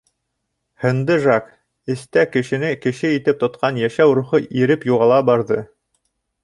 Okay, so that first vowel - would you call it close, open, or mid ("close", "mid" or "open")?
mid